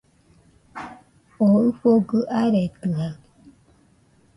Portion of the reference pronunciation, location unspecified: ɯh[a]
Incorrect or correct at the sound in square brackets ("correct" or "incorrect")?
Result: correct